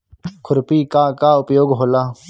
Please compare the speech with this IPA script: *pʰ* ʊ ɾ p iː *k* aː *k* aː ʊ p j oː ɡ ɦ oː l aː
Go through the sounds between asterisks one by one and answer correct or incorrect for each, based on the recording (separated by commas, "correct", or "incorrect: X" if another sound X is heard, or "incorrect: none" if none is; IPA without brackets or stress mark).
incorrect: kʰ, correct, correct